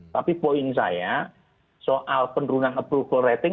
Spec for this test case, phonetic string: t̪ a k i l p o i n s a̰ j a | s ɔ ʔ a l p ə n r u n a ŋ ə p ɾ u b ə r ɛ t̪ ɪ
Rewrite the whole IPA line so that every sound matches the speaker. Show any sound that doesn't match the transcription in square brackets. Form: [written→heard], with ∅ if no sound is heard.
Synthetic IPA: t̪ a [k→p] i [l→∅] p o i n s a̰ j a | s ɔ ʔ a l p ə n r u n a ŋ ə p ɾ u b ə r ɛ t̪ ɪ